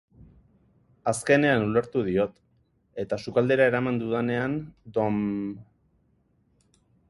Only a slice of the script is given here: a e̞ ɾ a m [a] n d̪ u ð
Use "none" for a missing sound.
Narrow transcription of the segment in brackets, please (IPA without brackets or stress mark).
a